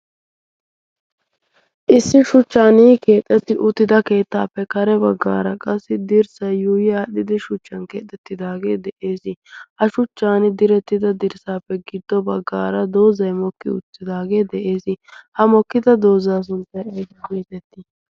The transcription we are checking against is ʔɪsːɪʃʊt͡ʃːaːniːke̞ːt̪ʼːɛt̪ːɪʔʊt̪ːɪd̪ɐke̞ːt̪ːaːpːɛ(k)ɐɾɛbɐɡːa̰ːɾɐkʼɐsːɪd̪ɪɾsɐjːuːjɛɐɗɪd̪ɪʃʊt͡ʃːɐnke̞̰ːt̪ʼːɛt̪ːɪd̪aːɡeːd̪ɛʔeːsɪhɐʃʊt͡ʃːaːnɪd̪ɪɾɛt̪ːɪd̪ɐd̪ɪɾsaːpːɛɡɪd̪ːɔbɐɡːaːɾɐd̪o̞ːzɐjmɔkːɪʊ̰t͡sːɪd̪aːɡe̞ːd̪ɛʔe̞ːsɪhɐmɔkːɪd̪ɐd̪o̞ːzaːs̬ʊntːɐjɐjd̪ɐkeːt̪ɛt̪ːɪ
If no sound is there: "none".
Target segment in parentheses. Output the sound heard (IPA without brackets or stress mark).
k